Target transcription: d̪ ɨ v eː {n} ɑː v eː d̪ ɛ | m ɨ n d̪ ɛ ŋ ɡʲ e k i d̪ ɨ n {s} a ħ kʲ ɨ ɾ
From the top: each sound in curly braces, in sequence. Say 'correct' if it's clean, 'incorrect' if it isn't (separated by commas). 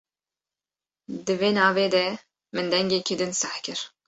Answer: correct, correct